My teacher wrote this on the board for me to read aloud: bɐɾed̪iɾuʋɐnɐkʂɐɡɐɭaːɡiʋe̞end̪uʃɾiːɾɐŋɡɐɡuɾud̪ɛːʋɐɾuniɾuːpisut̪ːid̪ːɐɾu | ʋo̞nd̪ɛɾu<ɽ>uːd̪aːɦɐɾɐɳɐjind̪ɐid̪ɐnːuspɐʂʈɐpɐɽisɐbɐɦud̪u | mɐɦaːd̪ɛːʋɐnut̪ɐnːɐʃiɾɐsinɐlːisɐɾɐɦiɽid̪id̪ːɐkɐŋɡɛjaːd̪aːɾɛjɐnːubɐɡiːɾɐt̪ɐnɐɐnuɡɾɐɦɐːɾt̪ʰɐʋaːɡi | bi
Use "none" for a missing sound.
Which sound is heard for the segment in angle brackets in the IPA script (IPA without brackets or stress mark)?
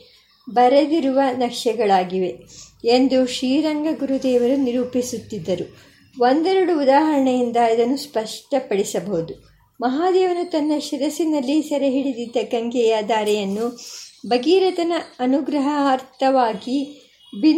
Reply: ɽ